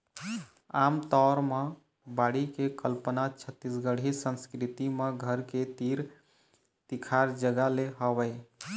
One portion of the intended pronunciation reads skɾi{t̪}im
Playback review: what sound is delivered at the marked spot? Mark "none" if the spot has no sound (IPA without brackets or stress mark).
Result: t̪